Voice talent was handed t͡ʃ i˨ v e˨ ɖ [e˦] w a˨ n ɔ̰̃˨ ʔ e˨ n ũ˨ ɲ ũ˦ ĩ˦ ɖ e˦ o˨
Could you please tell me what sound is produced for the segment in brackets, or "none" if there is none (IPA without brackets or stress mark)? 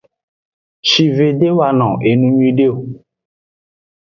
e˦